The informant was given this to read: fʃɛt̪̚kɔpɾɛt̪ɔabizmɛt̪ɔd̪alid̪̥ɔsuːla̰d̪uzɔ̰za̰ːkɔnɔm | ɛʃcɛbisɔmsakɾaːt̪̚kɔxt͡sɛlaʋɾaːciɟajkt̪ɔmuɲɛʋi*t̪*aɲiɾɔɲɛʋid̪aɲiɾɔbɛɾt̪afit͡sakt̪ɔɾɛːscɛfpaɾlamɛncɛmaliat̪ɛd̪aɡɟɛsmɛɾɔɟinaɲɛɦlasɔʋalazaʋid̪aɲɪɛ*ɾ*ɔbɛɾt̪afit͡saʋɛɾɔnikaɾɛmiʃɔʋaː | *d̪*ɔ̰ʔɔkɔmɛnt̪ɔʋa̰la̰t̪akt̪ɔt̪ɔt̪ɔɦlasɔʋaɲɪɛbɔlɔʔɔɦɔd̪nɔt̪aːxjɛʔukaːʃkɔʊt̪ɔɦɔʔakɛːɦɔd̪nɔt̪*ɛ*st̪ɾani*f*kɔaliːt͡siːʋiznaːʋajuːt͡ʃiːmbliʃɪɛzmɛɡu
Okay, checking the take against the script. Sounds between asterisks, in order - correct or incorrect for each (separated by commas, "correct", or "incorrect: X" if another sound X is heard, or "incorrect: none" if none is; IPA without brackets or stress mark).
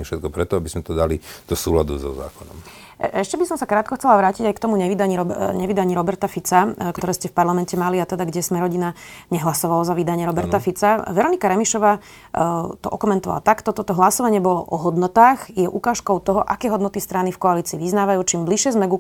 incorrect: d̪, correct, incorrect: t̪, incorrect: i, correct